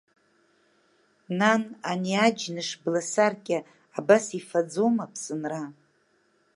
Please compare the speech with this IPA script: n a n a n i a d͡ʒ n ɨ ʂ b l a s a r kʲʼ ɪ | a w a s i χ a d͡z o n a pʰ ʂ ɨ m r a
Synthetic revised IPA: n a n a n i a d͡ʒ n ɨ ʂ b l a s a r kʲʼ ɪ | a b a s i f a d͡z o m a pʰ s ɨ n r a